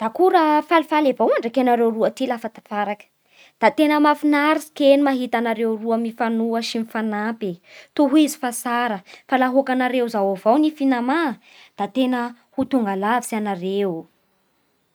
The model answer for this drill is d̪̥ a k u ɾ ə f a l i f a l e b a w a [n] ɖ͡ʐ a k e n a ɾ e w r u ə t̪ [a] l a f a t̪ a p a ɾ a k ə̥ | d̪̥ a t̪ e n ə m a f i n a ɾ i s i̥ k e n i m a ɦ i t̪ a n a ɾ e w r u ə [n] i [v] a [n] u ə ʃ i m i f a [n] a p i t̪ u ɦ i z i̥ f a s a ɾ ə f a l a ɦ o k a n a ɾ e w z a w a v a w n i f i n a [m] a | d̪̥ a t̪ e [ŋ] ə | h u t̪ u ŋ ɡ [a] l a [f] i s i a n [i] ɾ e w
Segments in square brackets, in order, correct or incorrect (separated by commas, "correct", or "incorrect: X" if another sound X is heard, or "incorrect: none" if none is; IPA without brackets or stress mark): incorrect: ɳ, incorrect: i, incorrect: m, incorrect: f, correct, correct, correct, incorrect: n, correct, incorrect: v, incorrect: a